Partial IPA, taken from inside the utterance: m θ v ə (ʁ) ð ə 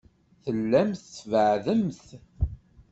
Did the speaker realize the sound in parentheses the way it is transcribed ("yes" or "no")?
no